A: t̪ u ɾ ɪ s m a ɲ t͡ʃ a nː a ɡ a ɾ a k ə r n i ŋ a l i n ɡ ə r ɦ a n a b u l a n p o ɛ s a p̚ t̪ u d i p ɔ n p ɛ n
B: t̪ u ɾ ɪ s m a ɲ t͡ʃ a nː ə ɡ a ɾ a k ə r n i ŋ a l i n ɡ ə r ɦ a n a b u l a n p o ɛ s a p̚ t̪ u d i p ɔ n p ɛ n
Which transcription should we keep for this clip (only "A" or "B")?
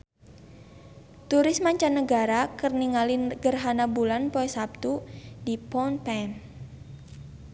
B